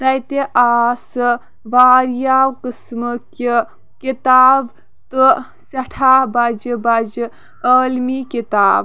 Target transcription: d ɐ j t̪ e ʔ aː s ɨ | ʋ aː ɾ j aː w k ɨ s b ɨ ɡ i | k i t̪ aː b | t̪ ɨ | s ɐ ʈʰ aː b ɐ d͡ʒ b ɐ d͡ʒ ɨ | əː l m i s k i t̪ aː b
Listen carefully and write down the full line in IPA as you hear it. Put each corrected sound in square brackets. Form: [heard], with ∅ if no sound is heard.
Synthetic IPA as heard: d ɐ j t̪ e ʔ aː s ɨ | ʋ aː ɾ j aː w k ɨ s [m] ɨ [k] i | k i t̪ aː b | t̪ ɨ | s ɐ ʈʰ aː b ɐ d͡ʒ b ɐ d͡ʒ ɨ | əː l m i [∅] k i t̪ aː b